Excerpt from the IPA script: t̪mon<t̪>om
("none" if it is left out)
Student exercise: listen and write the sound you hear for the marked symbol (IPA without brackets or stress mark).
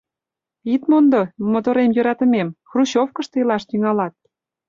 d̪